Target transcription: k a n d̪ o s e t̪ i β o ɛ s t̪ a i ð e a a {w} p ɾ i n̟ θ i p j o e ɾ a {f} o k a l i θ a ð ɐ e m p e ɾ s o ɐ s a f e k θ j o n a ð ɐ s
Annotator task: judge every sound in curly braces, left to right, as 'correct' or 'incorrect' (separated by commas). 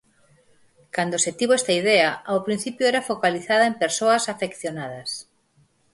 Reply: correct, correct